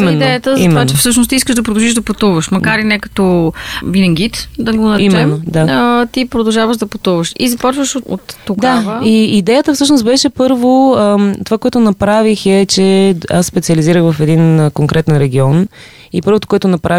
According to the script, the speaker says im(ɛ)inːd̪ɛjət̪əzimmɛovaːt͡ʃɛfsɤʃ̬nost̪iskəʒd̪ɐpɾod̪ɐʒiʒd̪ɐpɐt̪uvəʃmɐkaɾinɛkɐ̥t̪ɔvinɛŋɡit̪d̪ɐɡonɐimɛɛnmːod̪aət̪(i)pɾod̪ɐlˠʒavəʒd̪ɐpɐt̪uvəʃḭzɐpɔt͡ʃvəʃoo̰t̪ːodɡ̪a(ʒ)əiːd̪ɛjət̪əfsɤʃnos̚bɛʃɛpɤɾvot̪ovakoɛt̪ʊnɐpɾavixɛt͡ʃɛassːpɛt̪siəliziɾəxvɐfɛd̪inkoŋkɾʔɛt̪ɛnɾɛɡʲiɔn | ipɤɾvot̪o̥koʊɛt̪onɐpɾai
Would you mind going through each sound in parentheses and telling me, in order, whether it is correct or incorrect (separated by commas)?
correct, correct, incorrect